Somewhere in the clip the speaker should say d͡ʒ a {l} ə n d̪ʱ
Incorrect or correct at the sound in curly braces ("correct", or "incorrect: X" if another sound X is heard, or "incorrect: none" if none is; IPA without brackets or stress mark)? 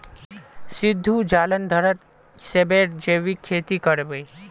correct